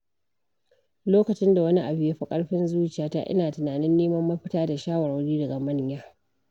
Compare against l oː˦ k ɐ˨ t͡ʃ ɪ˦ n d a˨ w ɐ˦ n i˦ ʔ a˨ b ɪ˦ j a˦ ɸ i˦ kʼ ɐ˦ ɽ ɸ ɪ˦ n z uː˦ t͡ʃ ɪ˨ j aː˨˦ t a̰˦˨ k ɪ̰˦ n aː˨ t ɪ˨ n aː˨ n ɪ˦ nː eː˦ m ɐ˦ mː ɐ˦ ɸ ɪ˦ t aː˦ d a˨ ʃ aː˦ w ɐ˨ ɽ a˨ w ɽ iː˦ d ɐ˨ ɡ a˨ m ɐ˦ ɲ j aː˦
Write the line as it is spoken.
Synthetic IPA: l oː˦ k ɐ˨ t͡ʃ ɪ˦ n d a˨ w ɐ˦ n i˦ ʔ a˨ b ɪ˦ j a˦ ɸ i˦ kʼ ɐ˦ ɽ ɸ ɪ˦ n z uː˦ t͡ʃ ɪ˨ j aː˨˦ t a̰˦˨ ʔ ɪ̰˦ n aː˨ t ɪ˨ n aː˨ n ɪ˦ nː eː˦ m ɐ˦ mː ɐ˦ ɸ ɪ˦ t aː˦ d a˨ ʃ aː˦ w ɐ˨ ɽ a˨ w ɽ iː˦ d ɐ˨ ɡ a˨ m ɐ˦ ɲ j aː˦

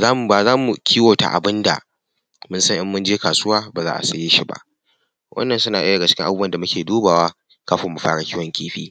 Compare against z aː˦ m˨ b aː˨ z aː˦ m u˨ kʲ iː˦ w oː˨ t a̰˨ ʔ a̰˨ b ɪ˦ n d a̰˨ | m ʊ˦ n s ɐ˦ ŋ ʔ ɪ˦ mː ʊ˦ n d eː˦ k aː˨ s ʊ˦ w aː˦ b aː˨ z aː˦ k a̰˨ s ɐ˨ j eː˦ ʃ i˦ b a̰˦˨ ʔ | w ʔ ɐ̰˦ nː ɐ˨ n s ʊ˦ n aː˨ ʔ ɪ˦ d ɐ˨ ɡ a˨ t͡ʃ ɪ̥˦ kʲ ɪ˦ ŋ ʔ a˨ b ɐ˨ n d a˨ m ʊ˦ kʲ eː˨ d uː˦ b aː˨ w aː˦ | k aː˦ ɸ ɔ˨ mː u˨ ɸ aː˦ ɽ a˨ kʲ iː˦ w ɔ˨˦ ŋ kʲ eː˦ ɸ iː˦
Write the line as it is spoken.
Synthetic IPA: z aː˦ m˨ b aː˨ z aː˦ m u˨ kʲ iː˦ w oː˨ t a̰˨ ʔ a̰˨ b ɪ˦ n d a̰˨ | m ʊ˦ n s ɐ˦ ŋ ʔ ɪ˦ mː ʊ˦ n d͡ʒ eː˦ k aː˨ s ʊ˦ w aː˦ b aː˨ z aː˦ ʔ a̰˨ s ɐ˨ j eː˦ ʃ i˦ b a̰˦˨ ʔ | w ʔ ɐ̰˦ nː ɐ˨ n s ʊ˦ n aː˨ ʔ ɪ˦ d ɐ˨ ɡ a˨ t͡ʃ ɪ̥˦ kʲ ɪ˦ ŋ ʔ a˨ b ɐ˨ n d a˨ m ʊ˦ kʲ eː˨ d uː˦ b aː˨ w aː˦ | k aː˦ ɸ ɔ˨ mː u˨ ɸ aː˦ ɽ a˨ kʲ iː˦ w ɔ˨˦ ŋ kʲ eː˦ ɸ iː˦

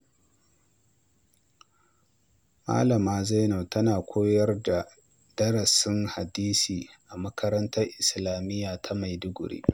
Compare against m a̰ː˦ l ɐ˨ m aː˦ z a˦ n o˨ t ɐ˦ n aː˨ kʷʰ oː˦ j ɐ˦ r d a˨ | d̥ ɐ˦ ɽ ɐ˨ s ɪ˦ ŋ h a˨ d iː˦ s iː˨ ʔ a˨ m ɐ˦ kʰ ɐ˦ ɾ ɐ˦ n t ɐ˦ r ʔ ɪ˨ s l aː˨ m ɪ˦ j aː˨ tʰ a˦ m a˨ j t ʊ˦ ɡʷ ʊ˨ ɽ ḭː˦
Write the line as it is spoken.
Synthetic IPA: m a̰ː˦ l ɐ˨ m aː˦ z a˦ n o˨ t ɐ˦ n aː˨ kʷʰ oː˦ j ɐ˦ r d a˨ | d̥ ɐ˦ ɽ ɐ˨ s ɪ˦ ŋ h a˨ d iː˦ s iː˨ ʔ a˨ m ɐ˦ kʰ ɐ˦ ɾ ɐ˦ n t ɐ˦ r ʔ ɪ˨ s l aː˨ m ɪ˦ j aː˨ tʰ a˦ m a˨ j d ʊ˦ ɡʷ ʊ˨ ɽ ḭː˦

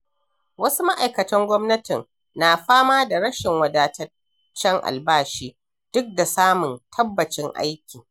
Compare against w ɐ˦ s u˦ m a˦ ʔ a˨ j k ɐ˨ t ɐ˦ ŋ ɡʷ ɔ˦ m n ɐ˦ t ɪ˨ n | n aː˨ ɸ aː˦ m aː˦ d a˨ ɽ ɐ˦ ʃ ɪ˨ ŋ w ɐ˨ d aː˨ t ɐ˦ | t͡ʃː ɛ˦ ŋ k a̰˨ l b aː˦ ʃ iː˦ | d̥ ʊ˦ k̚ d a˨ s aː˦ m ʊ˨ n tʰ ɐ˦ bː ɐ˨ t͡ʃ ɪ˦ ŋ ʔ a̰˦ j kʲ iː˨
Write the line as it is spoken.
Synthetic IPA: w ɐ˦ s u˦ m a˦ ʔ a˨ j k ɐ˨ t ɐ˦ ŋ ɡʷ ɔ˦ m n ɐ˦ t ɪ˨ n | n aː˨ ɸ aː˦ m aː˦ d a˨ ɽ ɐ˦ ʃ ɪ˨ ŋ w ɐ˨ d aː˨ t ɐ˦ | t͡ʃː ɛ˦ ŋ ʔ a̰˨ l b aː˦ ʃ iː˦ | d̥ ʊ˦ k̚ d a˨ s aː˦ m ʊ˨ n tʰ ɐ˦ bː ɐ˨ t͡ʃ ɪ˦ ŋ ʔ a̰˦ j kʲ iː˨

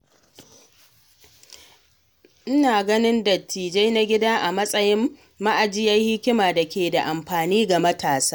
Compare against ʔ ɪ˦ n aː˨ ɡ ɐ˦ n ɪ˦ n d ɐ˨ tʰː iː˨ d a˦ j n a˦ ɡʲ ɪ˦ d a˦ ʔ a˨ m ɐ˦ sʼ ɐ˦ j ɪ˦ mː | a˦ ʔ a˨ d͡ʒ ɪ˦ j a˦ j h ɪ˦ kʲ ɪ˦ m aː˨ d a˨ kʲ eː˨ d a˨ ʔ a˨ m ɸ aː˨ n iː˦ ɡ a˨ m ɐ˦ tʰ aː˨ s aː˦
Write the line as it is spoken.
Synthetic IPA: ʔ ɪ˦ n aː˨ ɡ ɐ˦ n ɪ˦ n d ɐ˨ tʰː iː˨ d͡ʒ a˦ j n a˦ ɡʲ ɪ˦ d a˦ ʔ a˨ m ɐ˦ sʼ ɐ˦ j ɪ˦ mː | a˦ ʔ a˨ d͡ʒ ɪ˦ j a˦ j h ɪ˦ kʲ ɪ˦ m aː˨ d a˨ kʲ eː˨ d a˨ ʔ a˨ m ɸ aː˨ n iː˦ ɡ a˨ m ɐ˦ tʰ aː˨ s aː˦

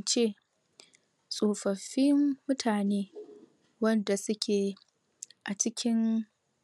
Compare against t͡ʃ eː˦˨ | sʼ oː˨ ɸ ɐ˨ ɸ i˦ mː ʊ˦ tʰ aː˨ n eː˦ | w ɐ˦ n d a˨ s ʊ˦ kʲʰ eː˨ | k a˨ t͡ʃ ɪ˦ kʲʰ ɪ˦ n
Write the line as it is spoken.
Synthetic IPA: t͡ʃ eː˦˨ | sʼ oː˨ ɸ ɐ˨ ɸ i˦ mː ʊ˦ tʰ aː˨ n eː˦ | w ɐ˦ n d a˨ s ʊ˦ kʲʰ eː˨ | ʔ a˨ t͡ʃ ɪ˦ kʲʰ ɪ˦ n

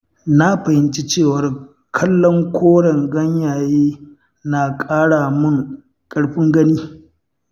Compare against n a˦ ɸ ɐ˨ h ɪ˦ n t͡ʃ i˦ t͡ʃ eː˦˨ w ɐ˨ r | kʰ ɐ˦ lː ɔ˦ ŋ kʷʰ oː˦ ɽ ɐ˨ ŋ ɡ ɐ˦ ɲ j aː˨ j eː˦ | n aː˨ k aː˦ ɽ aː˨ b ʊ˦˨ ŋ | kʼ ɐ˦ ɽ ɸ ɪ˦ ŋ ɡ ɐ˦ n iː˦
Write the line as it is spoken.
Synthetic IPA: n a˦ ɸ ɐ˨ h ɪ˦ n t͡ʃ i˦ t͡ʃ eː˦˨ w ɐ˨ r | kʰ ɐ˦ lː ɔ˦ ŋ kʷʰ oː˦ ɽ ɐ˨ ŋ ɡ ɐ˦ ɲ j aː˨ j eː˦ | n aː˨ kʼ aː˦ ɽ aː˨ m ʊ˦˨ ŋ | kʼ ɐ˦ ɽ ɸ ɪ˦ ŋ ɡ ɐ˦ n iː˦

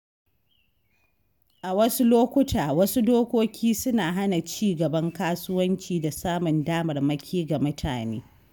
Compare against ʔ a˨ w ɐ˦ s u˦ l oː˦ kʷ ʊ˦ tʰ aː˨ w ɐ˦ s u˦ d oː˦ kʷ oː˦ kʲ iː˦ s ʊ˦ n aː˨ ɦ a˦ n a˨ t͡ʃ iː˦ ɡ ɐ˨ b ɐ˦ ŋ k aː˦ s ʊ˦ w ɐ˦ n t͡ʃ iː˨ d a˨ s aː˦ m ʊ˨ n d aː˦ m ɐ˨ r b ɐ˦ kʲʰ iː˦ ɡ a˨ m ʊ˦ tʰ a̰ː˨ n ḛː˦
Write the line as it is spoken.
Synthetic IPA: ʔ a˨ w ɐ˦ s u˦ l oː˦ kʷ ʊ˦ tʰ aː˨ w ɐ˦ s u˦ d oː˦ kʷ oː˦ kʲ iː˦ s ʊ˦ n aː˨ ɦ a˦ n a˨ t͡ʃ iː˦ ɡ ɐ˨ b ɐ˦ ŋ k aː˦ s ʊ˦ w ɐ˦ n t͡ʃ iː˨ d a˨ s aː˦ m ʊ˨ n d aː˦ m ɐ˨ r m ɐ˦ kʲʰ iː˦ ɡ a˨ m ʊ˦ tʰ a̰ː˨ n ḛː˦

